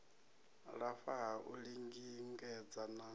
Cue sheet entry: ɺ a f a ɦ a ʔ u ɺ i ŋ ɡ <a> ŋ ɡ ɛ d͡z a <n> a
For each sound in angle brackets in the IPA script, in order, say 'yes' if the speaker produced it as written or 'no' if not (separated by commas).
no, yes